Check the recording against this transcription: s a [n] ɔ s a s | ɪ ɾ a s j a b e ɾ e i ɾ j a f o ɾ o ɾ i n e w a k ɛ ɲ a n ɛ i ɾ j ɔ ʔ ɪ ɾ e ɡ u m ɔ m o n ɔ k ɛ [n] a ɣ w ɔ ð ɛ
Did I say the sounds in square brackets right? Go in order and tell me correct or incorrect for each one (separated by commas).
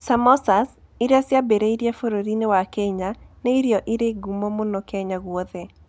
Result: incorrect, incorrect